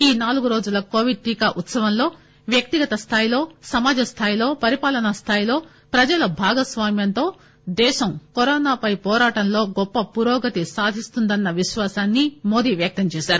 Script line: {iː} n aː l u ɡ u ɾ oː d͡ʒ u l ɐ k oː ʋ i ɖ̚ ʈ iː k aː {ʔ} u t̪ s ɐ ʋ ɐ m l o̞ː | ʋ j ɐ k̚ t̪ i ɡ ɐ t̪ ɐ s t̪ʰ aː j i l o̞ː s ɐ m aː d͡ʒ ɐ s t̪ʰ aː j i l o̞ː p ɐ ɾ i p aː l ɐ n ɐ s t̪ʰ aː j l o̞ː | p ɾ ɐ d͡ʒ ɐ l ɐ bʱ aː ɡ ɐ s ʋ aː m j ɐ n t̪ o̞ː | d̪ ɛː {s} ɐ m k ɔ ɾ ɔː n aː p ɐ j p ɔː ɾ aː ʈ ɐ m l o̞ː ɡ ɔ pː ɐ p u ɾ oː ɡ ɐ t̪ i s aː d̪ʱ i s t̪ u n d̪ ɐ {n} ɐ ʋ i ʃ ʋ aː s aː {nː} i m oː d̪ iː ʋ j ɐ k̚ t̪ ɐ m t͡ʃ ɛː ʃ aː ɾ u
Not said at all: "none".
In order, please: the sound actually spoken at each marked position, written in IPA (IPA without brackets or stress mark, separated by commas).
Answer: iː, ʔ, ʃ, nː, nː